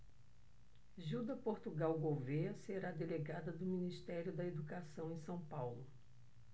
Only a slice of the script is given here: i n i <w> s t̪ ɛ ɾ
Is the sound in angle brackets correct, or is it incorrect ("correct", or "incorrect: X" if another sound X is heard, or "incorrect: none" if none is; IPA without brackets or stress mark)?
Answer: incorrect: none